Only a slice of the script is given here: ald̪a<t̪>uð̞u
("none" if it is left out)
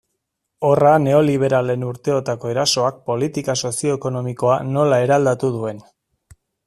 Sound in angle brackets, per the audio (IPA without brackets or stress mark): t̪